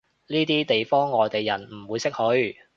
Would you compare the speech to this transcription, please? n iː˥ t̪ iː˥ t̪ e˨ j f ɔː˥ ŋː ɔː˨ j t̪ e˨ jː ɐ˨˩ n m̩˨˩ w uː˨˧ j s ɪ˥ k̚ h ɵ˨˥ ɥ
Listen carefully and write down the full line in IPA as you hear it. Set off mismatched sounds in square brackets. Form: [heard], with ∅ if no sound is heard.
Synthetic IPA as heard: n iː˥ t̪ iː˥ t̪ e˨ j f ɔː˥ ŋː ɔː˨ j t̪ e˨ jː ɐ˨˩ n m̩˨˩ w uː˨˧ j s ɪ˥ k̚ h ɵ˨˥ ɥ